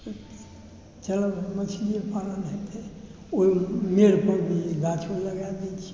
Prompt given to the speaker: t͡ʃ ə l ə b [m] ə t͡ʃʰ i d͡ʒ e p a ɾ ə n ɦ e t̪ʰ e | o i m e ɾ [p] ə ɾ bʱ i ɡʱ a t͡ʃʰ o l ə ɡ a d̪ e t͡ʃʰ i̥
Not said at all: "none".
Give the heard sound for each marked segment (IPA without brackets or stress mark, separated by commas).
m, p